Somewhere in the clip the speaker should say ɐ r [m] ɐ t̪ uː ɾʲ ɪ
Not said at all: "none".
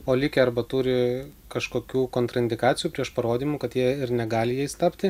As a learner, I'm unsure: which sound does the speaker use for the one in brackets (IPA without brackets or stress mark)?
b